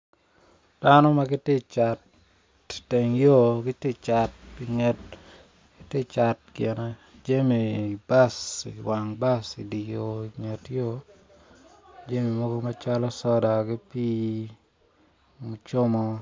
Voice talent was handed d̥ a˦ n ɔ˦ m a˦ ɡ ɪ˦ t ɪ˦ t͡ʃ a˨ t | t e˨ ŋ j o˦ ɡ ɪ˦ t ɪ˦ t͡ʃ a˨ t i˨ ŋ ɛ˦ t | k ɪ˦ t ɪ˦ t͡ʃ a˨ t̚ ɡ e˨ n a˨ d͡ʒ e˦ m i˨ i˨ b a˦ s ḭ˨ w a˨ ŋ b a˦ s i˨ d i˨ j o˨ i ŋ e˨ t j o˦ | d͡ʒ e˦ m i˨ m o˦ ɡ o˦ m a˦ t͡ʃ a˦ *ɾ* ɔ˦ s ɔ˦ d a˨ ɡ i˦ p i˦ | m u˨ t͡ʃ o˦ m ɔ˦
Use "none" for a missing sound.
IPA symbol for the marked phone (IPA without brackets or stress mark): l